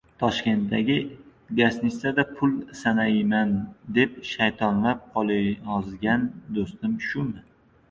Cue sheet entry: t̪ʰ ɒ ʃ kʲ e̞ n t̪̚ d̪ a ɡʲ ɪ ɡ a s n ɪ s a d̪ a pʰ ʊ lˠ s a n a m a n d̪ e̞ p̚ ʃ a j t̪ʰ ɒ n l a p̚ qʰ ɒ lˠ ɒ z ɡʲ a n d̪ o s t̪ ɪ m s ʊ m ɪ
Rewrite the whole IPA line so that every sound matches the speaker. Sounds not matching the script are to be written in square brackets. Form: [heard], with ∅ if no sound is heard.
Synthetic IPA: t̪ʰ ɒ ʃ kʲ e̞ n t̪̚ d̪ a ɡʲ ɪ ɡ a s n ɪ s a d̪ a pʰ ʊ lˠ s a n a m a n d̪ e̞ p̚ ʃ a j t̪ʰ ɒ n l a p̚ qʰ ɒ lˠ ɒ z ɡʲ a n d̪ o s t̪ ɪ m [ʃ] ʊ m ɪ